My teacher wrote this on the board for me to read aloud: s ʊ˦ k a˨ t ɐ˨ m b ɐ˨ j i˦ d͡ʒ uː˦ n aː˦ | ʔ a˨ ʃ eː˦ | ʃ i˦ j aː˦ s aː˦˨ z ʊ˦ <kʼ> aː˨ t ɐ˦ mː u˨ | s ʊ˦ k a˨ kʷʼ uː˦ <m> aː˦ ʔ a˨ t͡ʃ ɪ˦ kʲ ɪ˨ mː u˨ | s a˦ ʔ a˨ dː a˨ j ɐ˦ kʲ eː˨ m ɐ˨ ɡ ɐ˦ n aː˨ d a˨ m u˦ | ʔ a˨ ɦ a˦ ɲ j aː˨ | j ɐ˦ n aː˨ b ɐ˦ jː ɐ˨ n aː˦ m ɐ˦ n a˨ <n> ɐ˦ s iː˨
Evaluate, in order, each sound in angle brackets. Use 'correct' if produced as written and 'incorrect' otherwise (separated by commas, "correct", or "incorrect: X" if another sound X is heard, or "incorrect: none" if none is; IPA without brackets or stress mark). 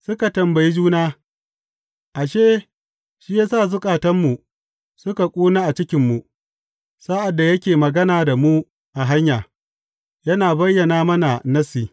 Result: correct, incorrect: n, correct